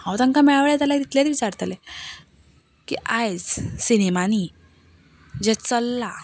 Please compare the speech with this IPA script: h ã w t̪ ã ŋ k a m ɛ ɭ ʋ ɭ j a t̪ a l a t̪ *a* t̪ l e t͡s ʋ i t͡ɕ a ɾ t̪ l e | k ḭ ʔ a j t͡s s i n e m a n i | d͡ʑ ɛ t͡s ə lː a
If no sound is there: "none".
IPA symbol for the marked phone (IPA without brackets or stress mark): i